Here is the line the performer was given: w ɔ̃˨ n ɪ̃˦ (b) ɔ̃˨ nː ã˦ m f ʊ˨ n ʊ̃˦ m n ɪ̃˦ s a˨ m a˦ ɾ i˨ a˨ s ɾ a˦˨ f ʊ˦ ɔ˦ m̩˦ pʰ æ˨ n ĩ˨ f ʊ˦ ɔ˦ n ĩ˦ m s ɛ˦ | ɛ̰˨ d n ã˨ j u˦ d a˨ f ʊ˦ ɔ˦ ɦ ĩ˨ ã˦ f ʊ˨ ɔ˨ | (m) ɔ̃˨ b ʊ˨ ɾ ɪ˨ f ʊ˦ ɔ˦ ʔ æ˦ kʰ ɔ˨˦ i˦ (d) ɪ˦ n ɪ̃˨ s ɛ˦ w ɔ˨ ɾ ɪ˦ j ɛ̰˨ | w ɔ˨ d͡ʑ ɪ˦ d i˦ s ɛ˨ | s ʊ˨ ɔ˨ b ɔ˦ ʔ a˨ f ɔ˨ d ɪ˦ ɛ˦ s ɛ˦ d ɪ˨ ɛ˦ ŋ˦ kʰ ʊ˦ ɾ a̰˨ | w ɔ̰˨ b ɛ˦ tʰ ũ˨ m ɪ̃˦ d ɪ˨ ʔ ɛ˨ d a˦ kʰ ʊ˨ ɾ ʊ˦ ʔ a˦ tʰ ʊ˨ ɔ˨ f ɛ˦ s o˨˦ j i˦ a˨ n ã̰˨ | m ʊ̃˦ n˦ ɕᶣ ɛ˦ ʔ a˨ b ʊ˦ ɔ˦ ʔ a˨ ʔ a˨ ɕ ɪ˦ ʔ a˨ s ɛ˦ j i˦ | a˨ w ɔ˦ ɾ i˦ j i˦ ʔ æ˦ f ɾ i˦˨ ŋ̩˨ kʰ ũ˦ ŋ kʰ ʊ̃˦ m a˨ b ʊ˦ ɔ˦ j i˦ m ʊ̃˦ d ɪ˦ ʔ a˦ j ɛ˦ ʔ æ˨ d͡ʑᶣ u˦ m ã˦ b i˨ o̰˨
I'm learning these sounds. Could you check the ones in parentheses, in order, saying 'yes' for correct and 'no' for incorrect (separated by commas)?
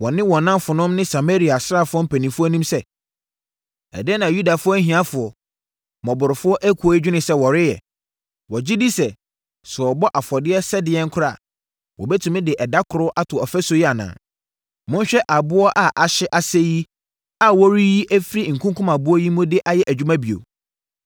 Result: no, yes, no